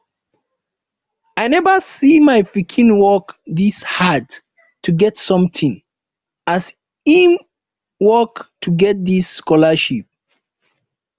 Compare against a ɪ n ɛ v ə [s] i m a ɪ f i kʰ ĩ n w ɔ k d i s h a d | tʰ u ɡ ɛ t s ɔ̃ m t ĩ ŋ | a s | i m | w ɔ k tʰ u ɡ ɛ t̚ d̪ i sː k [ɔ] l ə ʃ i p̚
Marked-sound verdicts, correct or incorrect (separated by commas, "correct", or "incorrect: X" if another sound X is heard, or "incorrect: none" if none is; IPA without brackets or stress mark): correct, correct